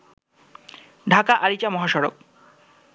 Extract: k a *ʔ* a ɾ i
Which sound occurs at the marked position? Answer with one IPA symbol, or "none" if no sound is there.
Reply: ʔ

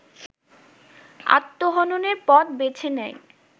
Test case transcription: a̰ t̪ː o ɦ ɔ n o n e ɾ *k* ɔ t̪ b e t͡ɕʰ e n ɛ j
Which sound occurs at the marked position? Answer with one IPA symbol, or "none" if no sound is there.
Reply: p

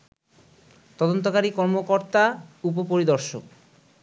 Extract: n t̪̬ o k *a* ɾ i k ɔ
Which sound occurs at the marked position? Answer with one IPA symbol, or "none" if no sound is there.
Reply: a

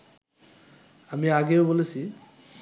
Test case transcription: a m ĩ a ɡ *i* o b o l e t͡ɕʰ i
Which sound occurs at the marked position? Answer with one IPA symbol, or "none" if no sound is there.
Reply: e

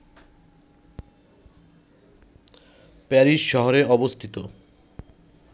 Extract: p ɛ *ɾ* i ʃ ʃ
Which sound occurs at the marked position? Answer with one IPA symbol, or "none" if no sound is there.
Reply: ɾ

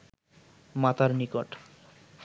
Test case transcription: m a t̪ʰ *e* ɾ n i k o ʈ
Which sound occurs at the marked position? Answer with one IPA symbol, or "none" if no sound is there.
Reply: a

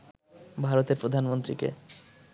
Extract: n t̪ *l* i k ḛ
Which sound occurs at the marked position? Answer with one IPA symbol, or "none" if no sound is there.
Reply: ɾ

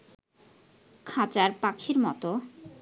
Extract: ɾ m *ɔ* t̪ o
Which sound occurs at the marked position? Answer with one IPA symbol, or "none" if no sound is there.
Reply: ɔ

